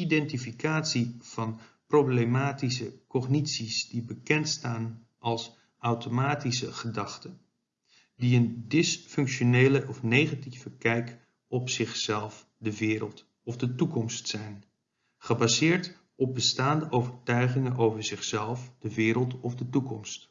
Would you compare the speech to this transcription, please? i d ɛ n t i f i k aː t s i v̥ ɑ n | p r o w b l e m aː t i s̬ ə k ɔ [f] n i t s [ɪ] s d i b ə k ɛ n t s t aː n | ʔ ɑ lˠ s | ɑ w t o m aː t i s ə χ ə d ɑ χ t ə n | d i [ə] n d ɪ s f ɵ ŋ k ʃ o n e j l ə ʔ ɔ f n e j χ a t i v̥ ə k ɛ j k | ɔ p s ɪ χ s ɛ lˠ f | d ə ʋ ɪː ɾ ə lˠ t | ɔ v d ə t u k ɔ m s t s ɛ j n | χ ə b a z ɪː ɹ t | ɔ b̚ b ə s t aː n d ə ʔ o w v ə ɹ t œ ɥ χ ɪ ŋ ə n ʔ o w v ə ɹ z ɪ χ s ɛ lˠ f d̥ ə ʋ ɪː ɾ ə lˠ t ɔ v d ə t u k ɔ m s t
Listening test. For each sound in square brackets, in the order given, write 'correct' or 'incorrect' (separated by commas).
incorrect, incorrect, correct